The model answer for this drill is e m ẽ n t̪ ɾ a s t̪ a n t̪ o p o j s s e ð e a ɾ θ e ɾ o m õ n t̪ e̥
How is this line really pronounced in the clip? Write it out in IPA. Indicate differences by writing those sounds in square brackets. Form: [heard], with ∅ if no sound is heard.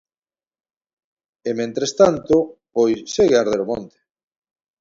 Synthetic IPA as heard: e m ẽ n t̪ ɾ [e] s t̪ a n t̪ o p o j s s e [ɣ] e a ɾ [ð] e ɾ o m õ n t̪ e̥